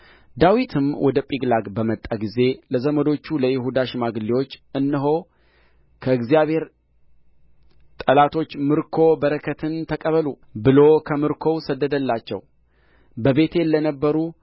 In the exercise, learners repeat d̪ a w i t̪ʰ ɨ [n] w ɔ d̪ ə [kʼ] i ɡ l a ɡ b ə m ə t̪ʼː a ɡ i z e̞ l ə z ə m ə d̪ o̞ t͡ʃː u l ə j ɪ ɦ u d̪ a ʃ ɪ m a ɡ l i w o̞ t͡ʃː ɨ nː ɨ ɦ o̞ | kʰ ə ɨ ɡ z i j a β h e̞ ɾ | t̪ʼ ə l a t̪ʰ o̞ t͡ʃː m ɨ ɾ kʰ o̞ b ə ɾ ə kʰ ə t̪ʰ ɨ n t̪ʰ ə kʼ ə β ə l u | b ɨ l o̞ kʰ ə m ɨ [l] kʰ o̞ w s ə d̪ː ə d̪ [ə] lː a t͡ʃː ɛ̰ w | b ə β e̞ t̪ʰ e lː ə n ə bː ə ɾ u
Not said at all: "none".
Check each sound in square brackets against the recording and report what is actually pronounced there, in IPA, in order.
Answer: m, pʼ, ɾ, ə

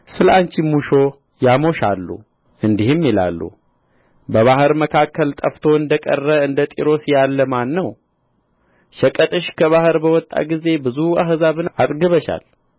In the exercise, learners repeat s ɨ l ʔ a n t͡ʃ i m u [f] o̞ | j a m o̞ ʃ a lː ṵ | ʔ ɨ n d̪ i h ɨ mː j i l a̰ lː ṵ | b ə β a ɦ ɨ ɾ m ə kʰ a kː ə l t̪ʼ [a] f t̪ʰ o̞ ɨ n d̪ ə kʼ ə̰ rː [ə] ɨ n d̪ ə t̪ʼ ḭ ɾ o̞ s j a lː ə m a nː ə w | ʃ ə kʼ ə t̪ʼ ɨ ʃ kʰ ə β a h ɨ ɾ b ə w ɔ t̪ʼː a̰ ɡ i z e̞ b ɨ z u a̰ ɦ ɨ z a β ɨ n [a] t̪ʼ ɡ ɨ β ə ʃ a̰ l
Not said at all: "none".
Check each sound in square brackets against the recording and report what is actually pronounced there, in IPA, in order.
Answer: ʃ, ə, ə, a

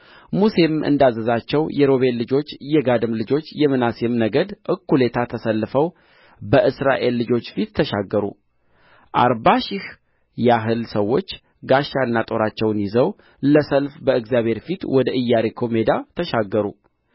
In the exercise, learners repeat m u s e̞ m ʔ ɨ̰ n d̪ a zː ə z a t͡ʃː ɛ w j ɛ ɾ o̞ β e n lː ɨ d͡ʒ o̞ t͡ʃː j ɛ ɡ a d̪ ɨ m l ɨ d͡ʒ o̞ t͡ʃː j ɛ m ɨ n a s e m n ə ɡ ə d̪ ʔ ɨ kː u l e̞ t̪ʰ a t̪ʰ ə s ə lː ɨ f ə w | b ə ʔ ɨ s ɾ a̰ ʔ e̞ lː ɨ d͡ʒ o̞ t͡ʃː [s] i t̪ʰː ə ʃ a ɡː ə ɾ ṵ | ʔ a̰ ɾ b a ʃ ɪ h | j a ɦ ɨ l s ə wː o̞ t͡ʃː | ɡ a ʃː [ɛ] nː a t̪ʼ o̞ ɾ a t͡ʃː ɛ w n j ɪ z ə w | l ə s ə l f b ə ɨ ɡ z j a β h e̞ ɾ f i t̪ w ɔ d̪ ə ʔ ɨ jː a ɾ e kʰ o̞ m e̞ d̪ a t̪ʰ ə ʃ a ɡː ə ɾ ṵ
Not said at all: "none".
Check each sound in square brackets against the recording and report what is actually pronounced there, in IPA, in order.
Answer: f, a

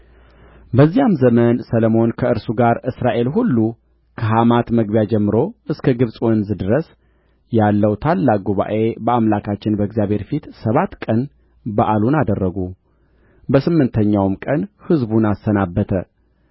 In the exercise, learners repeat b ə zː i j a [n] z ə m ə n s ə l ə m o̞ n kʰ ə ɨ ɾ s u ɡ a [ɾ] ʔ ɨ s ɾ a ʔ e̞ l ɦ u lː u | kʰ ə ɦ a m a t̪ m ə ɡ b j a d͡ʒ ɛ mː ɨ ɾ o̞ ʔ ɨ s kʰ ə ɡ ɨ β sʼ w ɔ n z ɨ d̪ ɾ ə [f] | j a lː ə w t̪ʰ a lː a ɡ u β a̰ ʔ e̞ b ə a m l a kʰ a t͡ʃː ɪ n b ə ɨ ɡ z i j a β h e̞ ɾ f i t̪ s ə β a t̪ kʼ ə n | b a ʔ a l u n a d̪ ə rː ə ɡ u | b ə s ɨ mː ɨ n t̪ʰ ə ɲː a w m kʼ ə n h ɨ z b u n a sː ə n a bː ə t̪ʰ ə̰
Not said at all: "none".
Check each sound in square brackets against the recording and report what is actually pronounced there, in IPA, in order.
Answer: m, ɾ, s

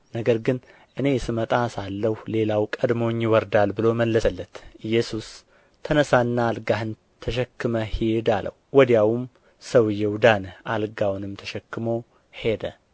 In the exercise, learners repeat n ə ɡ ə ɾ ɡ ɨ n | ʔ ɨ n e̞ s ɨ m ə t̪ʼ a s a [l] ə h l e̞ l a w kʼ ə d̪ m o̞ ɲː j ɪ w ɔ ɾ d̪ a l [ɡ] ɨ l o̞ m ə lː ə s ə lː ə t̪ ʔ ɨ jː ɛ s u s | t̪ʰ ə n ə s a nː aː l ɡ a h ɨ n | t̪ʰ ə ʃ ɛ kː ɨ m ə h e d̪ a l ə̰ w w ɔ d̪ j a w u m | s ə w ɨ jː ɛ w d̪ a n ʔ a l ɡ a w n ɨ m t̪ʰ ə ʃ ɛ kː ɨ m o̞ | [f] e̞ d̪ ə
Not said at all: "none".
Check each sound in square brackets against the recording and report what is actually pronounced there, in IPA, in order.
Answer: lː, b, h

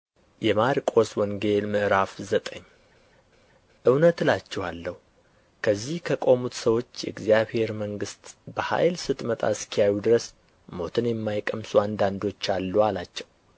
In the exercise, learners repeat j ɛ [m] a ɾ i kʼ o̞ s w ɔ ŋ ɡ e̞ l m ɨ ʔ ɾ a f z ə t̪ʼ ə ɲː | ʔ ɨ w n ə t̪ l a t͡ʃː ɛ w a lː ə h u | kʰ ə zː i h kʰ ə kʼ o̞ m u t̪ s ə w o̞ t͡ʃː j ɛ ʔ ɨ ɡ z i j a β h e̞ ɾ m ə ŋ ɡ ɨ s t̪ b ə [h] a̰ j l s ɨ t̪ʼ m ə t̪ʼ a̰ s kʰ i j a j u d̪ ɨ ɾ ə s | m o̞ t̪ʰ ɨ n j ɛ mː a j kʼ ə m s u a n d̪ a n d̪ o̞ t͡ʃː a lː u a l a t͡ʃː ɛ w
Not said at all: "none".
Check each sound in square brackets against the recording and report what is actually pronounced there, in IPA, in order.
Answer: m, h

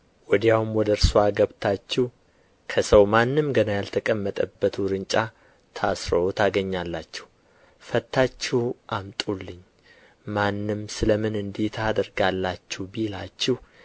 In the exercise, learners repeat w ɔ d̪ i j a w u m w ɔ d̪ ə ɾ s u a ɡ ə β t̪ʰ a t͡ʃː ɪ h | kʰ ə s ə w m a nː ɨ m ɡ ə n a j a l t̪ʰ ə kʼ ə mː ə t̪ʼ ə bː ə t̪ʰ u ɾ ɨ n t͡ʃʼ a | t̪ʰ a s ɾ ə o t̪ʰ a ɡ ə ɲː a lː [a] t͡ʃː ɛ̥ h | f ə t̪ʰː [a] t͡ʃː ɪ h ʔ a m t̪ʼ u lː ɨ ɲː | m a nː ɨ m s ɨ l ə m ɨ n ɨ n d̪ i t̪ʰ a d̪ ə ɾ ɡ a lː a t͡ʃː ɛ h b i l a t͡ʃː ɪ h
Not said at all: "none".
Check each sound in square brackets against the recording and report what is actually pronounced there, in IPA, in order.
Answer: a, a

